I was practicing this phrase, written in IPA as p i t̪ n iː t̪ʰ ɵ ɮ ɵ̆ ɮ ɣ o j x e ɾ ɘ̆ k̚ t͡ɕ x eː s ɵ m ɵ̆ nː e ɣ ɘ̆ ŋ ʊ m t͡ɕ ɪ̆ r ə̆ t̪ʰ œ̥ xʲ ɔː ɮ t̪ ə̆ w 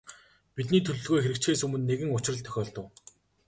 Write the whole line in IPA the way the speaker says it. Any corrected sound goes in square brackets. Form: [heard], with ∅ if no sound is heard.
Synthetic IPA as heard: p i t̪ n iː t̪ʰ ɵ ɮ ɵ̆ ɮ ɣ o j x e ɾ ɘ̆ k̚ t͡ɕ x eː s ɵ m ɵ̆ nː e ɣ ɘ̆ ŋ ʊ [∅] t͡ɕ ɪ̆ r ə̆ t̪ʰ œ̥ xʲ ɔː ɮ t̪ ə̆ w